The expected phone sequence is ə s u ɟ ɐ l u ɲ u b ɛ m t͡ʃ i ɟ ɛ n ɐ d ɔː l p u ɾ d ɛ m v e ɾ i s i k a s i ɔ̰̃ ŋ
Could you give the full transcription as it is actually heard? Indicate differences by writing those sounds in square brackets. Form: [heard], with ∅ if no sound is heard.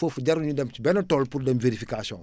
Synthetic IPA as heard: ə [f] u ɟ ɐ [ɾ] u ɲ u [d] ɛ m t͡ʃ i [b] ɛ n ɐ [t] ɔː l p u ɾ d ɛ m v e ɾ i [f] i k a s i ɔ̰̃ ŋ